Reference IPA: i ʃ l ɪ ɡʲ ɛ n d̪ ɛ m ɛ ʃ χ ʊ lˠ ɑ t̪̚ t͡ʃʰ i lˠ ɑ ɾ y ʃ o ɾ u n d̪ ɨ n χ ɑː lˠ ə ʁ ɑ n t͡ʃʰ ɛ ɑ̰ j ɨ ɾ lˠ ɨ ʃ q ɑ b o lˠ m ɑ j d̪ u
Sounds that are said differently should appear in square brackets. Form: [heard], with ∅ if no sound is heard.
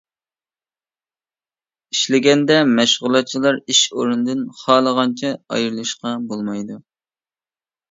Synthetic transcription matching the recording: i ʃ l ɪ ɡʲ ɛ n d̪ ɛ m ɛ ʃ [ʁ] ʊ lˠ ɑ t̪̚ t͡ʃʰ i lˠ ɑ ɾ [i] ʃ o ɾ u n d̪ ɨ n χ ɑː lˠ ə ʁ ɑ n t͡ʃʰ ɛ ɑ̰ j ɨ ɾ lˠ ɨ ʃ q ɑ b o lˠ m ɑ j d̪ u